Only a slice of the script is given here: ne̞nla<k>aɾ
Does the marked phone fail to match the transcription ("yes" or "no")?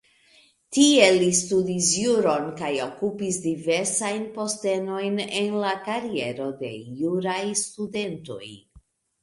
no